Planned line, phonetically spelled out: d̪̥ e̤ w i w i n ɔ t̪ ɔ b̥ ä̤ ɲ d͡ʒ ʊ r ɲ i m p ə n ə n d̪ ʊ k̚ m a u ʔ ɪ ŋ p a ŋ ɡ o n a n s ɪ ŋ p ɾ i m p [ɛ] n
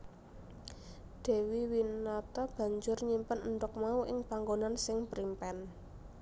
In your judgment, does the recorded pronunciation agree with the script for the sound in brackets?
yes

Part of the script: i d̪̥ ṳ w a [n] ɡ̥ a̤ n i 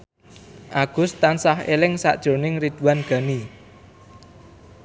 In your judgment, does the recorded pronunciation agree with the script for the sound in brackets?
yes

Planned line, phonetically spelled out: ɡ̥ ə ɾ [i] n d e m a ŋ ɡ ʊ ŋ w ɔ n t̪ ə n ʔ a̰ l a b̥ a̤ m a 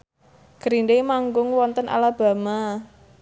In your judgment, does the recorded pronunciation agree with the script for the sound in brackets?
yes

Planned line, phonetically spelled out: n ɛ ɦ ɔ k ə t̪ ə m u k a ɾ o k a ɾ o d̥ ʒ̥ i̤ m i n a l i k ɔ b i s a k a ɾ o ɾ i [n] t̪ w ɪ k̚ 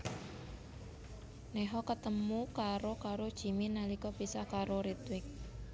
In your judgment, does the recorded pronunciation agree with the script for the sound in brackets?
no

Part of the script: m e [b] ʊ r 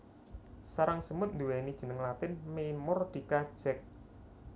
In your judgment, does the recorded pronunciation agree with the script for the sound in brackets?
no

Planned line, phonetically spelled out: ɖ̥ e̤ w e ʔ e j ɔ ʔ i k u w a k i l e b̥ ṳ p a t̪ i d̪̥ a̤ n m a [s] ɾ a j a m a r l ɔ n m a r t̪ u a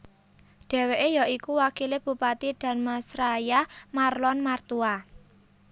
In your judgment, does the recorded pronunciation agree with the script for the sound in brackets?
yes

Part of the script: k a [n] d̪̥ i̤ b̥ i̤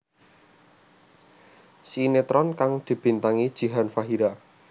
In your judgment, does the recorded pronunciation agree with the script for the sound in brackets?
no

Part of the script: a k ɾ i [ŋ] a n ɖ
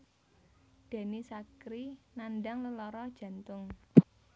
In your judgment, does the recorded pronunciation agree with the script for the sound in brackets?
no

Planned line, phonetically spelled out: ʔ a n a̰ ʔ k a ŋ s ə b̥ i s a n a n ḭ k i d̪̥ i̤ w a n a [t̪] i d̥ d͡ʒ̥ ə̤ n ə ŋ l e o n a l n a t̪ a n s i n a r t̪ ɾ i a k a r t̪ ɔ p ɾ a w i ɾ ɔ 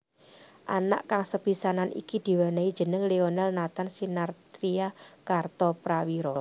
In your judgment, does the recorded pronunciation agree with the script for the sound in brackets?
no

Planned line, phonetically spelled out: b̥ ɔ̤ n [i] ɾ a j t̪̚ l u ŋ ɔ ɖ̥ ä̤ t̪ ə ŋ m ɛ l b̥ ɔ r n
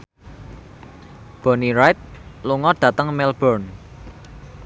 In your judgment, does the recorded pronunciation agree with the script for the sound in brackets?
yes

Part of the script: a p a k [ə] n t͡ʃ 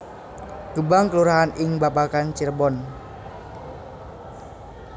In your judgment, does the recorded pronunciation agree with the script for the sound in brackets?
no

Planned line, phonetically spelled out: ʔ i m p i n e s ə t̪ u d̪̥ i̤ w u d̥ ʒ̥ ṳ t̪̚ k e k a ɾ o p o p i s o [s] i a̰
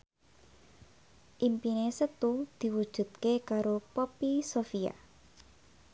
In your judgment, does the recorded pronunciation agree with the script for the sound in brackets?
no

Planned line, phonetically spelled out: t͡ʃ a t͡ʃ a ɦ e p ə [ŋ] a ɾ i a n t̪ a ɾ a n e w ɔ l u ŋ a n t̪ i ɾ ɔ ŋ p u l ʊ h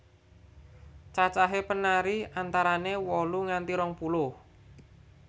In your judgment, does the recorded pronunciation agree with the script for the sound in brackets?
no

